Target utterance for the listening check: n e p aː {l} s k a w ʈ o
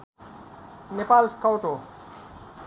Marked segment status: correct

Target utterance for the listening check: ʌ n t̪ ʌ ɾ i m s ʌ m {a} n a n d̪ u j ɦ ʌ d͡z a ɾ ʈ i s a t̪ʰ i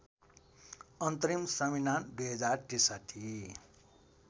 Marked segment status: incorrect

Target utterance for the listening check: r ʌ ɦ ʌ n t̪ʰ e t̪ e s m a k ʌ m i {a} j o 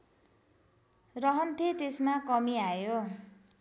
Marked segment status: correct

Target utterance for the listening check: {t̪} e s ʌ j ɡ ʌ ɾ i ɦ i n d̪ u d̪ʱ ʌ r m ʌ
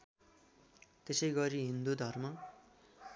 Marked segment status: correct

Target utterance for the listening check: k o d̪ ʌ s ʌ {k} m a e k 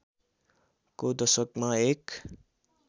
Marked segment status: correct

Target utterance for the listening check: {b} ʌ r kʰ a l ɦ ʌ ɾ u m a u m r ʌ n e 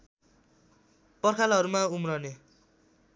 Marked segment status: incorrect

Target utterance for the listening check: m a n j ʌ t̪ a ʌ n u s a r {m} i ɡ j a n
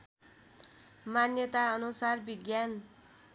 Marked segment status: incorrect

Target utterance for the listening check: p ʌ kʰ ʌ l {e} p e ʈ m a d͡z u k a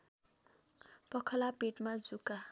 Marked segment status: incorrect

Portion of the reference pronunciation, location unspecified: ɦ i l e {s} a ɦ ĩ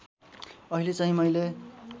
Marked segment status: incorrect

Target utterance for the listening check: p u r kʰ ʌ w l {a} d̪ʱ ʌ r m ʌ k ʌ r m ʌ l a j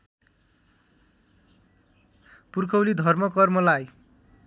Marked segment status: incorrect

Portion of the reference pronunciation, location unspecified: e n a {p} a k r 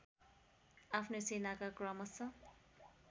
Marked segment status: incorrect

